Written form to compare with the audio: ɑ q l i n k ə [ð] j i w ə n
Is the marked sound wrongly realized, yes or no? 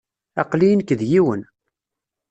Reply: no